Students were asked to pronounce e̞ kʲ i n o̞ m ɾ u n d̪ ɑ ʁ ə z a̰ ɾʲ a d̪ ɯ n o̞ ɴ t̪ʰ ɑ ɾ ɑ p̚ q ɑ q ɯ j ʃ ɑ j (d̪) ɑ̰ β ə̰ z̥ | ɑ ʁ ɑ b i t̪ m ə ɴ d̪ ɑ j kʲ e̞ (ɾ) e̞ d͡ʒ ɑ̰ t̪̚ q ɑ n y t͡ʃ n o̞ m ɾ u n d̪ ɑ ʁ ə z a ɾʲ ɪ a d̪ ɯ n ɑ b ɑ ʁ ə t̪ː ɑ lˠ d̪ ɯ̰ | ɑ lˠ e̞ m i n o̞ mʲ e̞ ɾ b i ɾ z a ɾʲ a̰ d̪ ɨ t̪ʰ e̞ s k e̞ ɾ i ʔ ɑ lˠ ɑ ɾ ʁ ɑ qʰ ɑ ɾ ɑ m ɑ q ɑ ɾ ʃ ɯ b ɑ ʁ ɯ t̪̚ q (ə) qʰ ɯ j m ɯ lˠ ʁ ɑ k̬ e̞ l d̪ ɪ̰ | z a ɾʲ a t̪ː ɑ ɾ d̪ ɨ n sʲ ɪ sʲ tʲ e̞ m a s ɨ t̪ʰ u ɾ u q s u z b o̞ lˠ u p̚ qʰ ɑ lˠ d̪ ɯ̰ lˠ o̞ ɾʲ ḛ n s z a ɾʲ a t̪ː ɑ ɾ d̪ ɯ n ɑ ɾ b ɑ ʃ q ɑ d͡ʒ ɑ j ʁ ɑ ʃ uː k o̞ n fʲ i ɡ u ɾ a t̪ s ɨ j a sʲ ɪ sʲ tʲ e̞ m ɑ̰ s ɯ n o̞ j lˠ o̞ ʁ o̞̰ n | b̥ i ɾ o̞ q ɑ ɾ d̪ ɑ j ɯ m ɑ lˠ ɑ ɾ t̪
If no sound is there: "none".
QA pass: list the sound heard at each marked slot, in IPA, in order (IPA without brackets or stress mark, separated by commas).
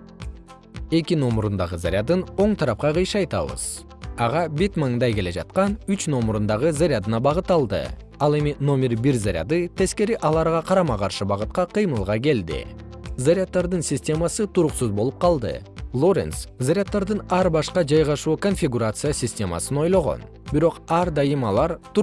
t̪, l, ɑ